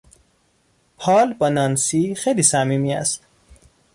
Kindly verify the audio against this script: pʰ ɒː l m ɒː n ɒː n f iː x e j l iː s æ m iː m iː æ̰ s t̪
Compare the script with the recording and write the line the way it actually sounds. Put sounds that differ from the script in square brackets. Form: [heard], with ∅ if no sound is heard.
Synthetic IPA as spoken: pʰ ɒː l [b] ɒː n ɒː n [s] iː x e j l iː s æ m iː m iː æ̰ s t̪